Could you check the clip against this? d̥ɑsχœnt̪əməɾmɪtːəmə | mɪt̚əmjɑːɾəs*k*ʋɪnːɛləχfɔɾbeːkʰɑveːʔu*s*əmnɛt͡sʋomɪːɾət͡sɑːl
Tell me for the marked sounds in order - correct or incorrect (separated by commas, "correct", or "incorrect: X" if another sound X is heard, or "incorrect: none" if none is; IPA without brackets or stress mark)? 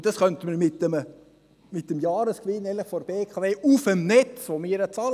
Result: correct, incorrect: f